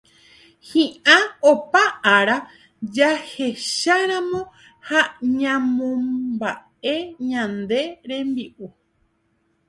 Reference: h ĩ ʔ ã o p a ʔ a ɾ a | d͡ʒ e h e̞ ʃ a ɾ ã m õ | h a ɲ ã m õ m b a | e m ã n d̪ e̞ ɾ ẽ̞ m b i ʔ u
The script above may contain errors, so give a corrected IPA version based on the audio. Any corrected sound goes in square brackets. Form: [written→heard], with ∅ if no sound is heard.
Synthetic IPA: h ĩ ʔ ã o p a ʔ a ɾ a | d͡ʒ [e→a] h e̞ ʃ a ɾ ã m õ | h a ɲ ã m õ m b a | e [m→ɲ] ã n d̪ e̞ ɾ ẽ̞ m b i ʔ u